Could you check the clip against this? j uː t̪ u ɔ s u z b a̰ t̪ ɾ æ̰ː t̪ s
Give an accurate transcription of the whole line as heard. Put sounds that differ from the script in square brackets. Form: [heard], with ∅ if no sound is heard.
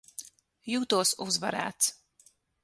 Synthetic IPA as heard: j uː t̪ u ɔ s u z [v] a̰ [∅] ɾ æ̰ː t̪ s